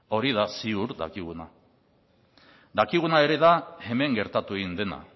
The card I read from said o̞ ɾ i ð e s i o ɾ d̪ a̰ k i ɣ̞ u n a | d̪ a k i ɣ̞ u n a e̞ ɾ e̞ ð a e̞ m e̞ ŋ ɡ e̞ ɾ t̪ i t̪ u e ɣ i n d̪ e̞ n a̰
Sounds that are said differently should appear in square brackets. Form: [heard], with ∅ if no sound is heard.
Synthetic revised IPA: o̞ ɾ i ð [a] s i [u] ɾ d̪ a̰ k i ɣ̞ u n a | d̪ a k i ɣ̞ u n a e̞ ɾ e̞ ð a e̞ m e̞ ŋ ɡ e̞ ɾ t̪ [a] t̪ u e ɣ i n d̪ e̞ n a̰